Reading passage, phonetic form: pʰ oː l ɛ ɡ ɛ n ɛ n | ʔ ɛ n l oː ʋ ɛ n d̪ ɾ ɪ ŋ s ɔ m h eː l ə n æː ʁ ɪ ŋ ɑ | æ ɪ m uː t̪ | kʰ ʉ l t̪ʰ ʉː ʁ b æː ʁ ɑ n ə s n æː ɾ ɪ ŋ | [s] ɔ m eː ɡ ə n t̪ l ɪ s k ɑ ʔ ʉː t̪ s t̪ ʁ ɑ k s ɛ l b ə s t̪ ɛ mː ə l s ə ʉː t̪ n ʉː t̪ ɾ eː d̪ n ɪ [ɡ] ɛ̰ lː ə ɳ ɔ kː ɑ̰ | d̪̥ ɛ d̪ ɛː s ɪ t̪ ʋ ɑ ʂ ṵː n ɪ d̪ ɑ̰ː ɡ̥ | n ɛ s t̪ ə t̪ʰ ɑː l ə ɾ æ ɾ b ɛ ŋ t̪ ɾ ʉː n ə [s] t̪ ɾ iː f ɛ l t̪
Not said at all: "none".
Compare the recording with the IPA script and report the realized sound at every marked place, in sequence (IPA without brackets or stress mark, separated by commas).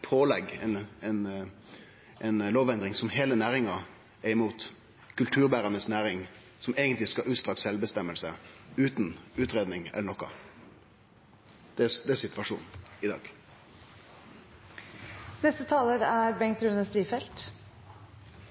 s, ŋ, s